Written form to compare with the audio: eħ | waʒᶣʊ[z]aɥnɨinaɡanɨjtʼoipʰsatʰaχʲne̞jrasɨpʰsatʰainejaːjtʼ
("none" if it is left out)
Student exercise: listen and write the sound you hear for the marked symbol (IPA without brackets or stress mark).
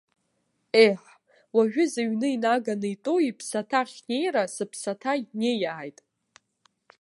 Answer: z